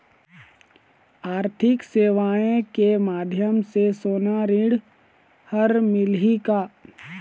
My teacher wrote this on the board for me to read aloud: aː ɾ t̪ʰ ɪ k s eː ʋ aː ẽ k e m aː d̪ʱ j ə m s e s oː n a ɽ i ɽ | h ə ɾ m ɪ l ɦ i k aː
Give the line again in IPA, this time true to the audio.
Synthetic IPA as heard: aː ɾ t̪ʰ ɪ k s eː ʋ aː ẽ k e m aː d̪ʱ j ə m s e s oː n a ɾ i ɽ | h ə ɾ m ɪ l ɦ i k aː